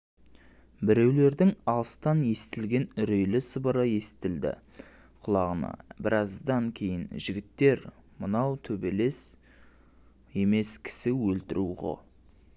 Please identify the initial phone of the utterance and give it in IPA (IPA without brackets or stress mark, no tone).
b